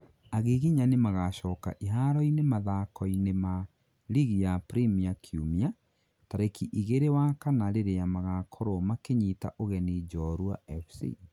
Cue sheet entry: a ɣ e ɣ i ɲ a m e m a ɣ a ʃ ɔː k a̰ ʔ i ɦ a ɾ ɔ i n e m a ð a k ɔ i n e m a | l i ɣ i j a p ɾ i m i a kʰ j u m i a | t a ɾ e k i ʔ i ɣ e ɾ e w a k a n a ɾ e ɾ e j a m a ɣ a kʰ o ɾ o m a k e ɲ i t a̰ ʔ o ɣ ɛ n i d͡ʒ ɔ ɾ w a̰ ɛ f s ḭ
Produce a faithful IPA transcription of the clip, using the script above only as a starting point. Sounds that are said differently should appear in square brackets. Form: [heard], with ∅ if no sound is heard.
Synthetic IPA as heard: a ɣ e ɣ i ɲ a [n] e m a ɣ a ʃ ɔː k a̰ ʔ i ɦ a ɾ ɔ i n e m a ð a k ɔ i n e m a | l i ɣ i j a p ɾ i m i a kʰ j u m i a | t a ɾ e k i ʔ i ɣ e ɾ e w a k a n a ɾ e ɾ e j a m a ɣ a kʰ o ɾ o m a k e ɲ i t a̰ ʔ o ɣ ɛ n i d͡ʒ ɔ ɾ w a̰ ɛ f s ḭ